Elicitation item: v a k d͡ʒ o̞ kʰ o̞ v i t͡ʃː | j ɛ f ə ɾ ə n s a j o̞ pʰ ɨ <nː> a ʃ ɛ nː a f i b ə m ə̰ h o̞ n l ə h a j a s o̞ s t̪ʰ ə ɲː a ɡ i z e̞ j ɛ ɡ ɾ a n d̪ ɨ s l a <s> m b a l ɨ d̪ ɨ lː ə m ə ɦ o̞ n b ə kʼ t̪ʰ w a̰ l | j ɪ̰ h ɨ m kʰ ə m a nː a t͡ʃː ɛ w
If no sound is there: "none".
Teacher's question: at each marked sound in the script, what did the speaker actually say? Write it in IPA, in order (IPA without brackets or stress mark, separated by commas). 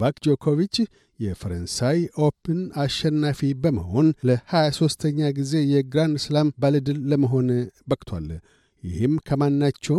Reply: n, none